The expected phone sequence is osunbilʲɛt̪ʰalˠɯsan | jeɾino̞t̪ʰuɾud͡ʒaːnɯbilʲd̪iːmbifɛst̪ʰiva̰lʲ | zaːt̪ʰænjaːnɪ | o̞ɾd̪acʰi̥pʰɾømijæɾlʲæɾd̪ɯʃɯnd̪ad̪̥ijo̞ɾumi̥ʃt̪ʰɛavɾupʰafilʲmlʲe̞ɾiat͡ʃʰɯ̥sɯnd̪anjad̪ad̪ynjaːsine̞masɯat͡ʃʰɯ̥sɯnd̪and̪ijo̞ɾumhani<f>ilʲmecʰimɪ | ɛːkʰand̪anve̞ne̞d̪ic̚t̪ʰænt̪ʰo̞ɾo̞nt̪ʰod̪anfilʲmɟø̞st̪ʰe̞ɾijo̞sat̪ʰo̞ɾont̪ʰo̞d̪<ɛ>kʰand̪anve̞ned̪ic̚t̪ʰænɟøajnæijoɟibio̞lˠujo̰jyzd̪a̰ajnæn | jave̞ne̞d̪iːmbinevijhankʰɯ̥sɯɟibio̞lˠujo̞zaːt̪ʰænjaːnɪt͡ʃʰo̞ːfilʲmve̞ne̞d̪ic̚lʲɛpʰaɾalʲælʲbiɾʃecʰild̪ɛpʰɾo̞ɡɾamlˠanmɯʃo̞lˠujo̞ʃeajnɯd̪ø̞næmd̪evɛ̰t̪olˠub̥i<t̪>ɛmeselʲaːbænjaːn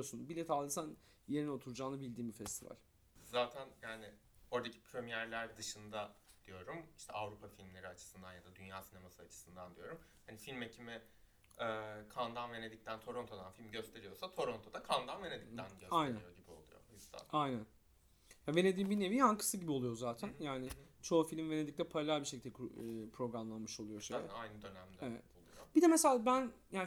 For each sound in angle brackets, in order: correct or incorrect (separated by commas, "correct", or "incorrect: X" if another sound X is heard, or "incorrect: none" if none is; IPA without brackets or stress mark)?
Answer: correct, incorrect: a, incorrect: d̪